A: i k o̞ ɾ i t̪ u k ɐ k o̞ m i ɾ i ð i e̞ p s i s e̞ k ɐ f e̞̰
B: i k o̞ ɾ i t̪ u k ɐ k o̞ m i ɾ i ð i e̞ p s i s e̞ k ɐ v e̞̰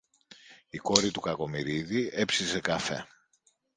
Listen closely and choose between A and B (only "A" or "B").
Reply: A